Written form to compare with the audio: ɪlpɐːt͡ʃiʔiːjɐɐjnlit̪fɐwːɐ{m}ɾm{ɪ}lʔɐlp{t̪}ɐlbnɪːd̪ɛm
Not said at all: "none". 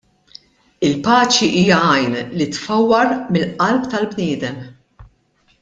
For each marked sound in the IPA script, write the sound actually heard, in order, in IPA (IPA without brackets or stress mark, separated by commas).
none, ɪ, t̪